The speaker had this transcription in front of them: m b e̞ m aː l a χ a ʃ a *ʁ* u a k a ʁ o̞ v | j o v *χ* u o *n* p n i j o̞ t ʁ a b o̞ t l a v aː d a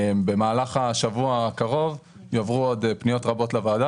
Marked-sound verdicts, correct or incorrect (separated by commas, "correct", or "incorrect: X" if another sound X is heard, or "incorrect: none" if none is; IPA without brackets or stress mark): incorrect: v, incorrect: ʁ, incorrect: d